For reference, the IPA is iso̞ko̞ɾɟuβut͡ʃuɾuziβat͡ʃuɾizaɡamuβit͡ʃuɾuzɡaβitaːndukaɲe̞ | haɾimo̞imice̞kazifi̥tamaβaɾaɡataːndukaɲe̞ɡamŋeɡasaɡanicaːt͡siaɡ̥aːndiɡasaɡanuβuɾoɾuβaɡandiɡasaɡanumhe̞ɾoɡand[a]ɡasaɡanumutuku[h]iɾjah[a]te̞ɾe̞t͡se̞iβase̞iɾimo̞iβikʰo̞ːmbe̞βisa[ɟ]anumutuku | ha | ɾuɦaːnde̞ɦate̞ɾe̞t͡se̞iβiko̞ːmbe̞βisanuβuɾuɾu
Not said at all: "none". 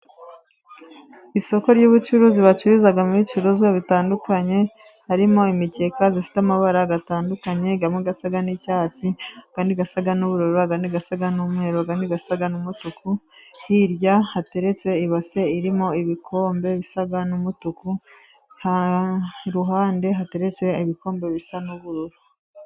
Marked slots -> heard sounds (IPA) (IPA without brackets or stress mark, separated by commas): i, h, a, ɡ